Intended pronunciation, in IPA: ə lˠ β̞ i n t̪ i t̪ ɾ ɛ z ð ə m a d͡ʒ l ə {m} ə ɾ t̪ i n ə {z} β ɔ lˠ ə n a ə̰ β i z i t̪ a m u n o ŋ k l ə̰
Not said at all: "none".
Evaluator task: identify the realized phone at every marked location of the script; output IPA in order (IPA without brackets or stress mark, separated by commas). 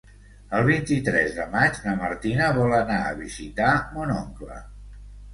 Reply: m, none